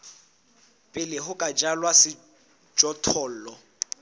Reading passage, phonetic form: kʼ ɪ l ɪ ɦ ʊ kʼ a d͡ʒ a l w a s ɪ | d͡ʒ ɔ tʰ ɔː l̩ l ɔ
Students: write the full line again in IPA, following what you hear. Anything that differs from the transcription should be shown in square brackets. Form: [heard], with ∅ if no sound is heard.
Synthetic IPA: [pʼ] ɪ l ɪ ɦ ʊ kʼ a d͡ʒ a l w a s ɪ | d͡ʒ ɔ tʰ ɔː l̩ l ɔ